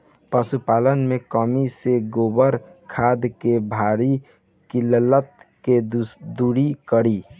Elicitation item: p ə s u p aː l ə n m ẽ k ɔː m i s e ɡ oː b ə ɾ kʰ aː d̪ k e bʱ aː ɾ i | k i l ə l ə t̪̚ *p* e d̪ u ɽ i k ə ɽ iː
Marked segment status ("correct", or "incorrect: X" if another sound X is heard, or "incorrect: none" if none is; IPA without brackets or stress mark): incorrect: k